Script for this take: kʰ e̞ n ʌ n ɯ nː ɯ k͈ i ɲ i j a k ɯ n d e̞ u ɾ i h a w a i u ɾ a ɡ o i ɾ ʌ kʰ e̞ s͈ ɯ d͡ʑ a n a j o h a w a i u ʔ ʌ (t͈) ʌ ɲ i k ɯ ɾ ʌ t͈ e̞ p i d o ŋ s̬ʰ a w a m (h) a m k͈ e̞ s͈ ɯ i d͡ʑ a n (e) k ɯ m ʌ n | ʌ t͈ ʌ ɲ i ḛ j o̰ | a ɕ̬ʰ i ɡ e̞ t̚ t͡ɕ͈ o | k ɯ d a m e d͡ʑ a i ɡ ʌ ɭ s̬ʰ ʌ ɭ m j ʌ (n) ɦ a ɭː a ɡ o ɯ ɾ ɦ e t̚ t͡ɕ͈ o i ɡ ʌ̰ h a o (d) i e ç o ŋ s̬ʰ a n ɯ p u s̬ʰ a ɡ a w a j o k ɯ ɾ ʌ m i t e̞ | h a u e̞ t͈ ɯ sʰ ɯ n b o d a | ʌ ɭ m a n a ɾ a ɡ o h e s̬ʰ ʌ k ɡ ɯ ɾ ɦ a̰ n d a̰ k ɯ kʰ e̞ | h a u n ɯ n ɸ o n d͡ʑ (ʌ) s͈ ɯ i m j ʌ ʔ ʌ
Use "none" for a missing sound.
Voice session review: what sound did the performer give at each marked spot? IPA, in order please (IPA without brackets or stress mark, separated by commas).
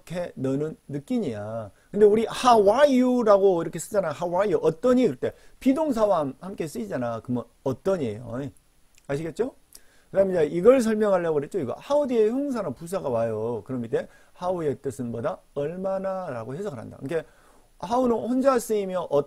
t͈, h, a, ŋ, d, a